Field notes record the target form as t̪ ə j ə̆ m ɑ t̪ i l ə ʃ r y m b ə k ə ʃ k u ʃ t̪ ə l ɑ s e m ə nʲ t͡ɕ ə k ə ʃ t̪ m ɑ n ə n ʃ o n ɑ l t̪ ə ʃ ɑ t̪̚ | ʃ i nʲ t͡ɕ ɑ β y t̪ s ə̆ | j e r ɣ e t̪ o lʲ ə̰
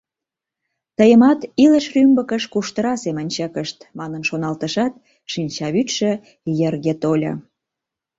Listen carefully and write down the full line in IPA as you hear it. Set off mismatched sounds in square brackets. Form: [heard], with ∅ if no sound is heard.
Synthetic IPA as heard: t̪ ə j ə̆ m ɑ t̪ i l ə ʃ r y m b ə k ə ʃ k u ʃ t̪ ə [ɾ] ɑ s e m ə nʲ t͡ɕ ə k ə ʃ t̪ m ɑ n ə n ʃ o n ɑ l t̪ ə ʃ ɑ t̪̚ | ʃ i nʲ t͡ɕ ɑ β y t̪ [ʃ] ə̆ | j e r ɣ e t̪ o lʲ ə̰

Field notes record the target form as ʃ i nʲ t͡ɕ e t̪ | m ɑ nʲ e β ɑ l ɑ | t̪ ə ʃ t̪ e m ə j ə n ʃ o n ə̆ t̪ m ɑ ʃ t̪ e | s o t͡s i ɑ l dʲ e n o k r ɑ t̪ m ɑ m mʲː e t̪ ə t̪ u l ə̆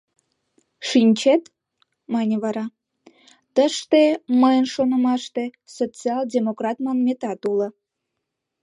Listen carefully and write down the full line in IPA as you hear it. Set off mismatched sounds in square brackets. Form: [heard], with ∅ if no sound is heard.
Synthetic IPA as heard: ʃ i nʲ t͡ɕ e t̪ | m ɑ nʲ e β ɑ [ɾ] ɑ | t̪ ə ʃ t̪ e m ə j ə n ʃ o n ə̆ [∅] m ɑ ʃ t̪ e | s o t͡s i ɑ l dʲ e [m] o k r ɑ t̪ m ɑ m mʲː e t̪ [ɑ] t̪ u l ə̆

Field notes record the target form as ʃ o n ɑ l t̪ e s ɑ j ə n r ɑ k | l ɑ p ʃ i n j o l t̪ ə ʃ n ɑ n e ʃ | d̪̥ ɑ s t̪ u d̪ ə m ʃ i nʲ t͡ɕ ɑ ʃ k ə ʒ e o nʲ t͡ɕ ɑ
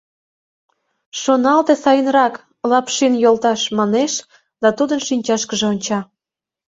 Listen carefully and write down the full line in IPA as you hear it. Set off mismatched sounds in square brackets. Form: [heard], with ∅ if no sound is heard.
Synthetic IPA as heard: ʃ o n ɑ l t̪ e s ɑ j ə n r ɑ k | l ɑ p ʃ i n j o l t̪ [ɑ] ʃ [m] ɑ n e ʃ | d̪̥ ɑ [∅] t̪ u d̪ ə [n] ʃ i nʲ t͡ɕ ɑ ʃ k ə ʒ e o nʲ t͡ɕ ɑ

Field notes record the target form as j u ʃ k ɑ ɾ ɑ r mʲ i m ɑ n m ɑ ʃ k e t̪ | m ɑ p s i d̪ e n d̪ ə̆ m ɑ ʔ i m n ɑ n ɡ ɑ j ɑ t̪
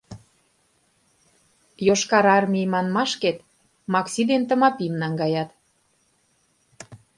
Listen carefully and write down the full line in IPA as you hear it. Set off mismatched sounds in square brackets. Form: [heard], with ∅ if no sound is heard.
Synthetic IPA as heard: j [o] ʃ k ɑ ɾ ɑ r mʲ i m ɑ n m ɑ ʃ k e t̪ | m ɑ [k] s i d̪ e n [t̪] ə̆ m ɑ [p] i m n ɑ [ŋ] ɡ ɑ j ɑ t̪

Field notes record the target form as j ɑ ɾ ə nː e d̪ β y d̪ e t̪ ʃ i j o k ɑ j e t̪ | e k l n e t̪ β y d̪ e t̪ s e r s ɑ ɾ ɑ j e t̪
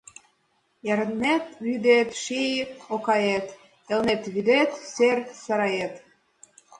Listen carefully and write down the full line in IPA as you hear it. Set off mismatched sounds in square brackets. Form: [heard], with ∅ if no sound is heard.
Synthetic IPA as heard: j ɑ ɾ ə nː e [t̪] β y d̪ e t̪ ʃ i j o k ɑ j e t̪ | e [∅] l n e t̪ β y d̪ e t̪ s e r s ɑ ɾ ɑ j e t̪

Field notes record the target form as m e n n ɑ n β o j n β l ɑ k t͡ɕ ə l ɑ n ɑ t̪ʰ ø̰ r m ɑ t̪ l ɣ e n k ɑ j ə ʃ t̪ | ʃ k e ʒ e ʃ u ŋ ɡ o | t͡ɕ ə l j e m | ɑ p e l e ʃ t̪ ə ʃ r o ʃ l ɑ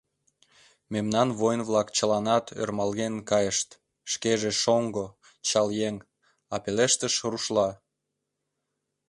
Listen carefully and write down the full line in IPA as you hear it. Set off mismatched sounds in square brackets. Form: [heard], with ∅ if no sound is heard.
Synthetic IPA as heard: m e [m] n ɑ n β o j n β l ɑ k t͡ɕ ə l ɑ n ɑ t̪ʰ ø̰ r m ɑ [∅] l ɣ e n k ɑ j ə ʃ t̪ | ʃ k e ʒ e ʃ [o] ŋ ɡ o | t͡ɕ [ɑ] l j e [ŋ] | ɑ p e l e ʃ t̪ ə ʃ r [u] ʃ l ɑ

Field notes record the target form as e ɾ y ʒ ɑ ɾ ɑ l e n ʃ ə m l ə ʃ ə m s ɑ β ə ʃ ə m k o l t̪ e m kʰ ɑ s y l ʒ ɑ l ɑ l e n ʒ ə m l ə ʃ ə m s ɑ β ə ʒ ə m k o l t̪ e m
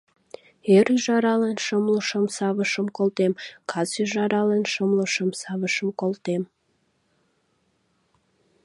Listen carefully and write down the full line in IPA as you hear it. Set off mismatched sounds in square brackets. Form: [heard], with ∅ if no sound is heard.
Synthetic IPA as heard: e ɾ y ʒ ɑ ɾ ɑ l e n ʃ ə m l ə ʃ ə m s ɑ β ə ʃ ə m k o l t̪ e m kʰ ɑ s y [∅] ʒ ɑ [ɾ] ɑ l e n [ʃ] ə m l ə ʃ ə m s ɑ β ə [ʃ] ə m k o l t̪ e m

